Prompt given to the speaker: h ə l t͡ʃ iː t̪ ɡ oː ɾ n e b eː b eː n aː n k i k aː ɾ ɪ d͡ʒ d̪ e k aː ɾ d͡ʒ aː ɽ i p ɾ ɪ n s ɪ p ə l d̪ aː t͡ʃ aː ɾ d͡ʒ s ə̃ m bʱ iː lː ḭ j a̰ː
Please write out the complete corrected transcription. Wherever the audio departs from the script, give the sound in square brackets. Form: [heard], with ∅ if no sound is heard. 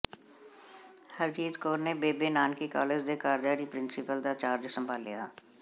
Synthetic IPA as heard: h ə [ɾ] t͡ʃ iː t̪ [k] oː ɾ n e b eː b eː n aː n k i k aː [l] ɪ d͡ʒ d̪ e k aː ɾ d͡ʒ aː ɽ i p ɾ ɪ n s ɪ p ə l d̪ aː t͡ʃ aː ɾ d͡ʒ s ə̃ m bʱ [aː] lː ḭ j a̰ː